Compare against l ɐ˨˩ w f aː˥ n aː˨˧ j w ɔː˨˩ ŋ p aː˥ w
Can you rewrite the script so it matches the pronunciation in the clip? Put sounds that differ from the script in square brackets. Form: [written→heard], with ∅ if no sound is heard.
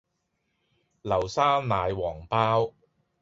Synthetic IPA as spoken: l ɐ˨˩ w [f→s] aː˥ n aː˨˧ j w ɔː˨˩ ŋ p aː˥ w